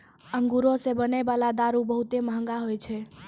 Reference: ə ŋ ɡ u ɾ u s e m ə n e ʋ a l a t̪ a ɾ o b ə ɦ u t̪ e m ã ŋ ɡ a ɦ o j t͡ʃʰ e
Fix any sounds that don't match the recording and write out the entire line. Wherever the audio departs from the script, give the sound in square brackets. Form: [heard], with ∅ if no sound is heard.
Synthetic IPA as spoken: ə ŋ ɡ u ɾ [o] s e [b] ə n e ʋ a l a [d̪] a ɾ [u] b ə ɦ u t̪ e m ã ŋ ɡ a ɦ o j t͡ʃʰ e